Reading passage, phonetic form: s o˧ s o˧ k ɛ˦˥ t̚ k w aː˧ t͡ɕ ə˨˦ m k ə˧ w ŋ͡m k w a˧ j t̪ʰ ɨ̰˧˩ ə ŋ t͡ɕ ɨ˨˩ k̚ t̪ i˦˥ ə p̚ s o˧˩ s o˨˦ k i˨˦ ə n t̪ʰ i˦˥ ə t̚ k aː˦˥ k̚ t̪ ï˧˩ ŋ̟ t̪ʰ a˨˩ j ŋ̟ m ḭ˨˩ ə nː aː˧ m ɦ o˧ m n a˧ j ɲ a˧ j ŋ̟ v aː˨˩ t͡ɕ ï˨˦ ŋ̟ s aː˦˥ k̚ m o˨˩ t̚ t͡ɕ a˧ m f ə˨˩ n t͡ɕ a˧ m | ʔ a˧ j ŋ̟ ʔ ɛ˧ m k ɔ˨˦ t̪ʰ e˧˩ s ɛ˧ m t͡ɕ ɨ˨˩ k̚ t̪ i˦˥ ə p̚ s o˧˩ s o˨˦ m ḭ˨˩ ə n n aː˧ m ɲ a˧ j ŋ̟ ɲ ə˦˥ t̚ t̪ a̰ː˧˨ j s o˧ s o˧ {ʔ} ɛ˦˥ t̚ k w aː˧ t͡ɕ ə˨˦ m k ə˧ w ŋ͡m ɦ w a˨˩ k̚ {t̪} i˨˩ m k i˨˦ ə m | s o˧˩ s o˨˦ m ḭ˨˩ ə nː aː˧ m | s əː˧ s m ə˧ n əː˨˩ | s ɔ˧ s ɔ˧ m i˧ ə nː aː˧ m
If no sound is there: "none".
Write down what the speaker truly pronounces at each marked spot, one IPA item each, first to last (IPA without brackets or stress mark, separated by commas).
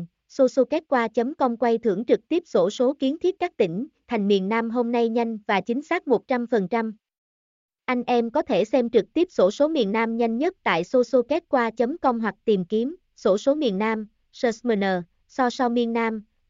k, t̪